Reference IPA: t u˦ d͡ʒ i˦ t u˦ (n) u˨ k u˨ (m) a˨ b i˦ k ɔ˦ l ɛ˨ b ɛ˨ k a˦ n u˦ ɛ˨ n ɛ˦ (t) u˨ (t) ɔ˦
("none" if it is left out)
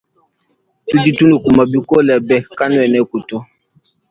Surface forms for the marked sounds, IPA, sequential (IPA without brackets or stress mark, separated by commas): n, m, k, t